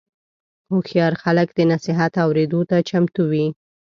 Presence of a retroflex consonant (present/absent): absent